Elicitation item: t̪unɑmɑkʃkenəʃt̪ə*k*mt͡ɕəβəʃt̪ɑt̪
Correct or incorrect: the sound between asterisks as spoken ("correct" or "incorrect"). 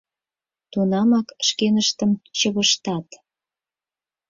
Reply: incorrect